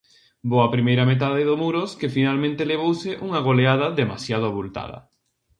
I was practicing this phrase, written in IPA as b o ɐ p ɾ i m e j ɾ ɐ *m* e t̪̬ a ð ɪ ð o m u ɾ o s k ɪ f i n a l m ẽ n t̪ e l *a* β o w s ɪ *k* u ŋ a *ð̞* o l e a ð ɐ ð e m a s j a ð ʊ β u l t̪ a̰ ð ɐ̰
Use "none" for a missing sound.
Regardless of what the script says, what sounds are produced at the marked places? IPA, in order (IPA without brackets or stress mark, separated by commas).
m, e, ʔ, ɣ̞